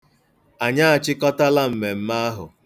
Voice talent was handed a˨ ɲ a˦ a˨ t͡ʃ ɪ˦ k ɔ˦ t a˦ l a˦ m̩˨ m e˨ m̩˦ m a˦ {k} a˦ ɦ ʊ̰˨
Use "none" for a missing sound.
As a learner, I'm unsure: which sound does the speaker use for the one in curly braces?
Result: none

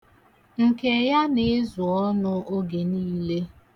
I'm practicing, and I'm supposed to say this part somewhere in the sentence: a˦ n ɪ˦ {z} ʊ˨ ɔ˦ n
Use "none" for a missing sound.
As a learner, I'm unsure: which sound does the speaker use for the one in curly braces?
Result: z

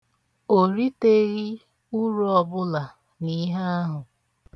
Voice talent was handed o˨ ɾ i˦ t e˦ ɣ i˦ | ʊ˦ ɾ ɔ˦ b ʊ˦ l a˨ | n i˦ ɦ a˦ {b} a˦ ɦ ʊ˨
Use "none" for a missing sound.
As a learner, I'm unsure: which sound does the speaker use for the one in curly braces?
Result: none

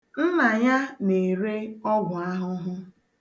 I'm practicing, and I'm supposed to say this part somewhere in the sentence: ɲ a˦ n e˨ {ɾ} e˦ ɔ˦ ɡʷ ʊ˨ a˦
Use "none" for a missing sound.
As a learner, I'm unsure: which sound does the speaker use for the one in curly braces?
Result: ɾ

